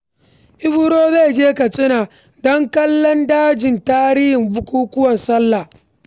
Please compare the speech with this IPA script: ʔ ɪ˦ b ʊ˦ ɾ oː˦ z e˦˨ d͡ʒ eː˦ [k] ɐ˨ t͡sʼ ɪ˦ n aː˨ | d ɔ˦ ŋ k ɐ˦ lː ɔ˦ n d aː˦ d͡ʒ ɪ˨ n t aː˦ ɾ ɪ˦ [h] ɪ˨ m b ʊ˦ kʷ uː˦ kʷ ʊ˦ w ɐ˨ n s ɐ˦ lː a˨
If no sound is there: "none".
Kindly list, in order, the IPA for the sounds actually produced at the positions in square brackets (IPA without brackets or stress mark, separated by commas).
k, h